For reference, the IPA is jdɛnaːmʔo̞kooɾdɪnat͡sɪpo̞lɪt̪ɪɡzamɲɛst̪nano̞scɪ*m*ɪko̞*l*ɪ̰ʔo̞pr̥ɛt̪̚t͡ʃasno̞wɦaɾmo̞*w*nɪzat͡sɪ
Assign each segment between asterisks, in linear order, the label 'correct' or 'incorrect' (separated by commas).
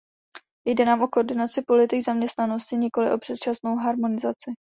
incorrect, correct, incorrect